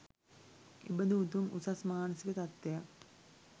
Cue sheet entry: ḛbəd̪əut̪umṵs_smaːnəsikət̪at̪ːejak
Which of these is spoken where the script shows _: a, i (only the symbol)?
a